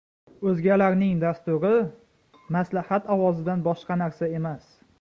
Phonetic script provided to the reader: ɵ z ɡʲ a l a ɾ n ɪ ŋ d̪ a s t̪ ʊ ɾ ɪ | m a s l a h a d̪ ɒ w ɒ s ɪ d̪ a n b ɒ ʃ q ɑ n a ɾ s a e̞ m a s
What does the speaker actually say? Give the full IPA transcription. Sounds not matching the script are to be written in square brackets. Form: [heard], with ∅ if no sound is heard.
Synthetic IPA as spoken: ɵ z ɡʲ a l a ɾ n ɪ ŋ d̪ a s t̪ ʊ ɾ ɪ | m a s l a h a [t̪] ɒ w ɒ [z] ɪ d̪ a n b ɒ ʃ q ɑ n a ɾ s a e̞ m a s